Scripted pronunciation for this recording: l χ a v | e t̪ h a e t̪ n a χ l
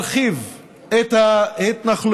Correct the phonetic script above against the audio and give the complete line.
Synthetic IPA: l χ i v | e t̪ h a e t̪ n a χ l

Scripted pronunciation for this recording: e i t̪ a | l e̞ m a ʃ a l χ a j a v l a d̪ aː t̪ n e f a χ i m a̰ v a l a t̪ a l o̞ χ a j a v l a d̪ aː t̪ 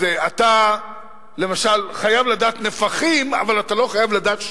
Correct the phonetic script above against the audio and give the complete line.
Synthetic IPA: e a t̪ a | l e̞ m a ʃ a l χ a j a v l a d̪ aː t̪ n e f a χ i m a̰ v a l a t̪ a l o̞ χ a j a v l a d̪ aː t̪

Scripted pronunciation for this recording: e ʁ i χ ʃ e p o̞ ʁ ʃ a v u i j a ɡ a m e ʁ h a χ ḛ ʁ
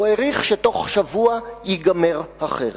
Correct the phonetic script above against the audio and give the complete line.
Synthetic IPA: e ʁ i χ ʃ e t o̞ χ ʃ a v u a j i ɡ a m e ʁ h a χ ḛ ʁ

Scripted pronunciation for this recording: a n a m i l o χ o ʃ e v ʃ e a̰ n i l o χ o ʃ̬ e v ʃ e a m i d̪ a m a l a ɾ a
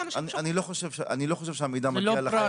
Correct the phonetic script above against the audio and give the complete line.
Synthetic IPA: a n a n i l o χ o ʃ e v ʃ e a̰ n i l o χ o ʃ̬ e v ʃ e a m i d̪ a m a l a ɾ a

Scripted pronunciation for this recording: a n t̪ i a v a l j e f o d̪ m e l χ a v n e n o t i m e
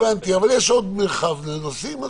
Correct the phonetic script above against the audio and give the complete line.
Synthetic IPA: a n t̪ i a v a l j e ʃ o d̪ m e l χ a v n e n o s i m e

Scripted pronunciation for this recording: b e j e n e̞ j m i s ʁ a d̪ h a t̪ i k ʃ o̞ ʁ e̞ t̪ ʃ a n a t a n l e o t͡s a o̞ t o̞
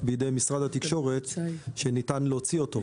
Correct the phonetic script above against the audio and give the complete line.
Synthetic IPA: b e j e d e̞ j m i s ʁ a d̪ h a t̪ i k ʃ o̞ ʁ e̞ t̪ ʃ e n i t a n l e o t͡s i o̞ t o̞

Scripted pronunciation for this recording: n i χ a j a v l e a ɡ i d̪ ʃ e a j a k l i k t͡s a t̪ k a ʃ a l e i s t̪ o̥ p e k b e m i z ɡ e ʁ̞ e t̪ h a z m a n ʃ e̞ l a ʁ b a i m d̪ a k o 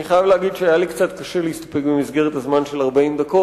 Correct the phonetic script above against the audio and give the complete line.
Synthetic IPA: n i χ a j a v l e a ɡ i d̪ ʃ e a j a l i k t͡s a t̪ k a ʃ e l e i s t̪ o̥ p e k b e m i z ɡ e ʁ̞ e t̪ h a z m a n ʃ e̞ l a ʁ b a i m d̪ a k o

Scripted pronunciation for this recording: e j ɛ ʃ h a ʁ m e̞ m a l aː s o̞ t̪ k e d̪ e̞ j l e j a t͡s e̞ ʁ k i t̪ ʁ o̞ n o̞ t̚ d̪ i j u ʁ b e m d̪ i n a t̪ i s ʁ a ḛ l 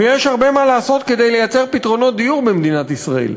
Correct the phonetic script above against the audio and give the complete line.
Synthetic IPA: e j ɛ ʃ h a ʁ b e̞ m a l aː s o̞ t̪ k e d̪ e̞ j l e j a t͡s e̞ ʁ p i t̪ ʁ o̞ n o̞ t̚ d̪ i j u ʁ b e m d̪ i n a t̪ i s ʁ a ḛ l

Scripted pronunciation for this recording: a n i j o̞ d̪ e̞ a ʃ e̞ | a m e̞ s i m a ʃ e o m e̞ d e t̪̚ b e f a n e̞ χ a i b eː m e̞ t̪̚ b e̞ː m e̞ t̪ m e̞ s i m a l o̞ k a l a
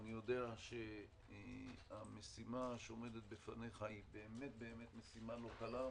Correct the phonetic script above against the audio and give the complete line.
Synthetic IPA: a n i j o̞ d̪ e̞ a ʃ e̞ | a m e̞ s i m a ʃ e o m e̞ d e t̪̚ b e f a n e̞ χ a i b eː m e̞ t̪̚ b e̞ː m e̞ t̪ m e̞ s i m a l o̞ k a l a

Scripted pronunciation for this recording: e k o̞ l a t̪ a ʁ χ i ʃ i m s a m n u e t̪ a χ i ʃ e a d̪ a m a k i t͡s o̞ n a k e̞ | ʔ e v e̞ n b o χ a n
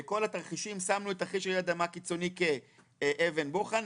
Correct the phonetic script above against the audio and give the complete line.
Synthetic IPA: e k o̞ l a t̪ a ʁ χ i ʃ i m s a m n u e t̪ a χ i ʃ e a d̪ a m a k i t͡s o̞ n i k e̞ | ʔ e v e̞ n b o χ a n

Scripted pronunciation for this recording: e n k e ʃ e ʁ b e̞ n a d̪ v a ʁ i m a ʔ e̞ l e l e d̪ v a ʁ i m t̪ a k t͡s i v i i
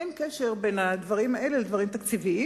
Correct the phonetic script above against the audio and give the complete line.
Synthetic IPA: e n k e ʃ e ʁ b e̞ n a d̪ v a ʁ i m a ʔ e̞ l e l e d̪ v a ʁ i m t̪ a k t͡s i v i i

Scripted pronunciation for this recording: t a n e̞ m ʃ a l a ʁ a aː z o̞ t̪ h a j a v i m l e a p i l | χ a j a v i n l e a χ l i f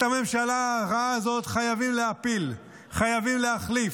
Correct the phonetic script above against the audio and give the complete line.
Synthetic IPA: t a m e̞ m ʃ a l a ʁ a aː z o̞ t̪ χ a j a v i m l e a p i l | χ a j a v i m l e a χ l i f

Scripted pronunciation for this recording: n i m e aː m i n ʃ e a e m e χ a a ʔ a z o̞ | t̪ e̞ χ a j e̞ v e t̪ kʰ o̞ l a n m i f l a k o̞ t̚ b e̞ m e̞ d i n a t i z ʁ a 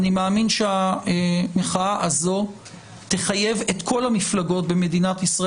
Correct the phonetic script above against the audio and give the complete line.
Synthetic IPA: n i m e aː m i n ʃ e a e m e χ a a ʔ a z o̞ | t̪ e̞ χ a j e̞ v e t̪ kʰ o̞ l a m i f l a ɡ o̞ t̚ b e̞ m e̞ d i n a t i s ʁ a

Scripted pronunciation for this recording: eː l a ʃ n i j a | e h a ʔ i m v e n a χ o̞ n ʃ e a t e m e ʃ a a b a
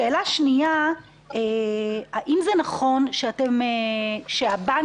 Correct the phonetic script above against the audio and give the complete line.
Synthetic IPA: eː l a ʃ n i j a | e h a ʔ i m z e n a χ o̞ n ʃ e a t e m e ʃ e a b a

